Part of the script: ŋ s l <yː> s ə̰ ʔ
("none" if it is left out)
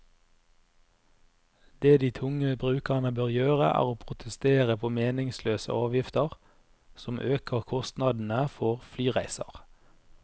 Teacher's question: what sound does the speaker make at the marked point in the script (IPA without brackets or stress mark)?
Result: øː